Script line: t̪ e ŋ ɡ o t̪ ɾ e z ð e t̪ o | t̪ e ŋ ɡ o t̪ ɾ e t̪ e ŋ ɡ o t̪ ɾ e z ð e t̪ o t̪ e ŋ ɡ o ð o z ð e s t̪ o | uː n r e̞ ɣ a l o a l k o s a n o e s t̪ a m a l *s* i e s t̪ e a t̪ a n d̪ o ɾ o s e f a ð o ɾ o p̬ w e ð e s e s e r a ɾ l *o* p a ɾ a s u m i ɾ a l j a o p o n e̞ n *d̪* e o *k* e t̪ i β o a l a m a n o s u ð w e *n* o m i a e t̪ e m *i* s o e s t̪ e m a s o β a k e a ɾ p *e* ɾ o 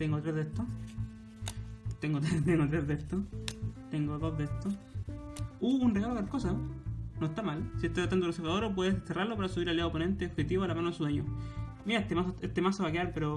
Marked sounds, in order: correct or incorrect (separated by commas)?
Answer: correct, correct, incorrect, incorrect, incorrect, incorrect, correct